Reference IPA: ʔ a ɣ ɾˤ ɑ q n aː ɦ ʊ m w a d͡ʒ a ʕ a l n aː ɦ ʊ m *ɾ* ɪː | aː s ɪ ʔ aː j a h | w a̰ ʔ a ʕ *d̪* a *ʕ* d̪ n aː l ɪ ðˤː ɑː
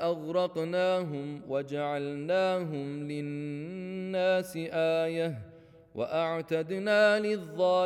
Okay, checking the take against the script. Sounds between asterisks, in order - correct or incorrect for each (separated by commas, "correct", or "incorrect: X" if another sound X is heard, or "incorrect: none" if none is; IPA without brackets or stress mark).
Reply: incorrect: l, incorrect: t̪, incorrect: none